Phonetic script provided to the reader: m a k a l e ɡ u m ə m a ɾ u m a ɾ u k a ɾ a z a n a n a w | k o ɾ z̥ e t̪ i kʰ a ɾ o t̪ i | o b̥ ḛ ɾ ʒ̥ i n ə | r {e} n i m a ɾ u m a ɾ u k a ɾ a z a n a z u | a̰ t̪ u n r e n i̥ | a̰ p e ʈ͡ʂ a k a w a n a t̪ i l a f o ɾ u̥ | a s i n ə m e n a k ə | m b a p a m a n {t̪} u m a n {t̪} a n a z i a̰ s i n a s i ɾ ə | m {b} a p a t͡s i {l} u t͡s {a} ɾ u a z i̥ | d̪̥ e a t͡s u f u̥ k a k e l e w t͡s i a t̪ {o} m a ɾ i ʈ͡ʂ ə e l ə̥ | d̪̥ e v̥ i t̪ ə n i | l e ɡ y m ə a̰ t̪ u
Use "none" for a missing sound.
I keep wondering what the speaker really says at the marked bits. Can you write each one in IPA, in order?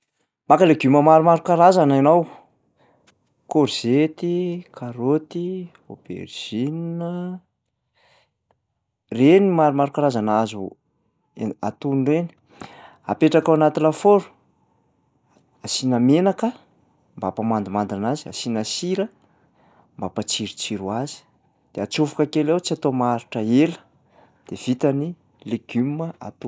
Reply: e, d̪, d̪, b, ɾ, i, o

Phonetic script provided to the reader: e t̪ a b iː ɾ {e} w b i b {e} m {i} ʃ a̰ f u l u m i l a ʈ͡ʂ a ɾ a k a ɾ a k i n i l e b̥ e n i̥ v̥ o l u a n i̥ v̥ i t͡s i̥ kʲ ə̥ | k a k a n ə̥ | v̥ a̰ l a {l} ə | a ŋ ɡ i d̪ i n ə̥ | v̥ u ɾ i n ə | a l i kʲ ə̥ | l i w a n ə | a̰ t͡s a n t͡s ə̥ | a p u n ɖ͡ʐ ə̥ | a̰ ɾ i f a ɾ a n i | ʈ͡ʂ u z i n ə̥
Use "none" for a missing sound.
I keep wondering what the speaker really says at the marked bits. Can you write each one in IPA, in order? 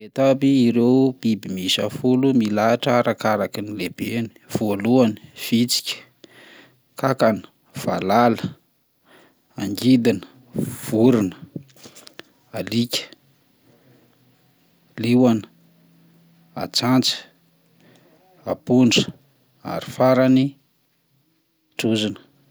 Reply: e, i, i, l

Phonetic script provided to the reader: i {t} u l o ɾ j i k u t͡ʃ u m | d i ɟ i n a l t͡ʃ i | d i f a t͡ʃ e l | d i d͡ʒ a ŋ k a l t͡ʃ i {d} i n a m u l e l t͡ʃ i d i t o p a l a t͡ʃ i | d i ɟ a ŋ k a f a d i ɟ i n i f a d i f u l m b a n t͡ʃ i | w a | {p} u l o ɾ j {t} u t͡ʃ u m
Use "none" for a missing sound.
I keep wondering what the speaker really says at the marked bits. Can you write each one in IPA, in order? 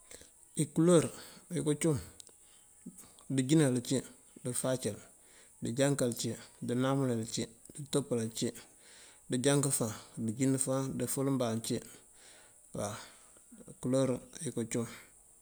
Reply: k, d, k, k

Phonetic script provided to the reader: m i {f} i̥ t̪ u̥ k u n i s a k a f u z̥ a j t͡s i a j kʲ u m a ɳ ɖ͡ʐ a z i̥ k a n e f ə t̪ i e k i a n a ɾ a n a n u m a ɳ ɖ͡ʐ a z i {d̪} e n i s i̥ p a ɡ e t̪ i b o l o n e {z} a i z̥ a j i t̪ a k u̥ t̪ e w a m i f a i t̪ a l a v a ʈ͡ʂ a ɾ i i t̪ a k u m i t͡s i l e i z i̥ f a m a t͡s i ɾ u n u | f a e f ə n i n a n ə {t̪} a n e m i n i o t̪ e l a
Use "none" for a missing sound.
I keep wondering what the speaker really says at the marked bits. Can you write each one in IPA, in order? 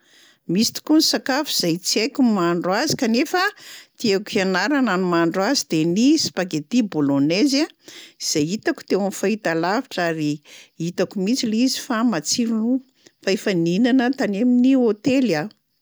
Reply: s, d̪, z, t̪

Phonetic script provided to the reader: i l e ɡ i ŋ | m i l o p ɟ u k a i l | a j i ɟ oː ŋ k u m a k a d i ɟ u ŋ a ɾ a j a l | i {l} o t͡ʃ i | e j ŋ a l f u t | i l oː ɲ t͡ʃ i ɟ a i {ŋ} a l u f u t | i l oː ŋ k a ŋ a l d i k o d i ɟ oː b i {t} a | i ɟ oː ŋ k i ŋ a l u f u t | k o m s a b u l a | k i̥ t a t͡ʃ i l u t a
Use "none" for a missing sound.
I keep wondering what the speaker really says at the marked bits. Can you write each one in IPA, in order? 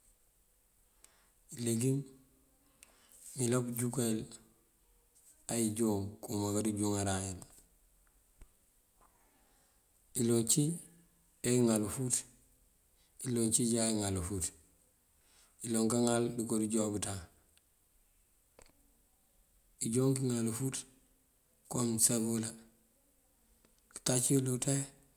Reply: l, ŋ, t

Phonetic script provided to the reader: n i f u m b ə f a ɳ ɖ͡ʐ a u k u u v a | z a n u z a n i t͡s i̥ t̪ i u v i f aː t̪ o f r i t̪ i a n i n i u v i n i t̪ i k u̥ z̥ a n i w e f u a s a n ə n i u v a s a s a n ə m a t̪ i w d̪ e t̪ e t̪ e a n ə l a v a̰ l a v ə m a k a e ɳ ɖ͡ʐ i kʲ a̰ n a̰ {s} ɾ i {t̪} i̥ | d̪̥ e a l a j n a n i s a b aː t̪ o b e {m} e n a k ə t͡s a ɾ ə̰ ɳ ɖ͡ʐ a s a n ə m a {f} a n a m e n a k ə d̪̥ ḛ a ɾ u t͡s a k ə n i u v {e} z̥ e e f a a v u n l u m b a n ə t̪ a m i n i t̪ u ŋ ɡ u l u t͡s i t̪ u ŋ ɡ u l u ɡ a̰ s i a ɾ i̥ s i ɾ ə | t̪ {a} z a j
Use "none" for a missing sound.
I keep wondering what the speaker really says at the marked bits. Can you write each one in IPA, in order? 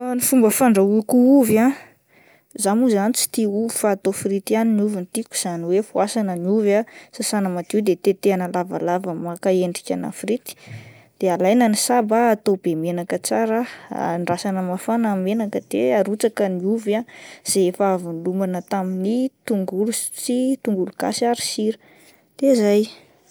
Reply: f, t̪, m, f, a, e

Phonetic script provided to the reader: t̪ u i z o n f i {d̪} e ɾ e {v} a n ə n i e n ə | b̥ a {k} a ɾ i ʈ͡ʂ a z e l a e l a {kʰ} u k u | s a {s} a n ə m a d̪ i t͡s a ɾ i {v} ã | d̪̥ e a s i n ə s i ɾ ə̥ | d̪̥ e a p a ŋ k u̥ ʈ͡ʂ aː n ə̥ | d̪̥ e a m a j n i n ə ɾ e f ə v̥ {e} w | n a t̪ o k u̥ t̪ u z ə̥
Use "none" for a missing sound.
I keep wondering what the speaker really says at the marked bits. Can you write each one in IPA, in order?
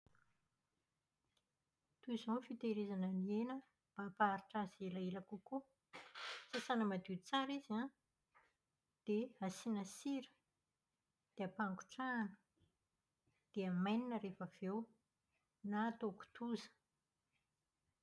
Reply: t̪, z, p, k, s, z, e

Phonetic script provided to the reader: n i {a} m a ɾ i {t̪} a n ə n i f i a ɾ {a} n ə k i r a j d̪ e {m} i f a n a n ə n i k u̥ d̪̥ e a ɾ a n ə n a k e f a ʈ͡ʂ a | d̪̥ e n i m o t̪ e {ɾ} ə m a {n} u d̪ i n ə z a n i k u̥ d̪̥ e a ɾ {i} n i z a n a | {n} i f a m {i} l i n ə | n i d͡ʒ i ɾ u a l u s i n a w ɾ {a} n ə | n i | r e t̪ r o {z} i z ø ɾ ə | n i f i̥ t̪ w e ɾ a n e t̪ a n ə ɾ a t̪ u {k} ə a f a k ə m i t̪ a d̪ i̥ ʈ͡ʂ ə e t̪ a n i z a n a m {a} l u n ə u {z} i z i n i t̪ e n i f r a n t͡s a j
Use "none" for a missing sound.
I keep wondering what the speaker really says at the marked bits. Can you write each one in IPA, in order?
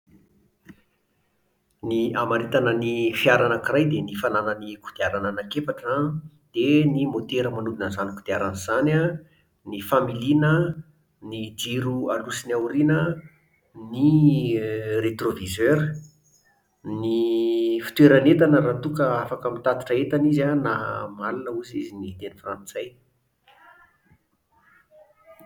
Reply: a, t̪, a, n, ɾ, n, a, n, i, i, v, k, a, z

